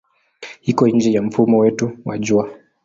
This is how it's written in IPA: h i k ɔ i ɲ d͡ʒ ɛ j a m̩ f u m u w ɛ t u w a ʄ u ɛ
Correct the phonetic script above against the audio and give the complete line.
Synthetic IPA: h i k ɔ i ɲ d͡ʒ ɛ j a m̩ f u m ɔ w ɛ t u w a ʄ u a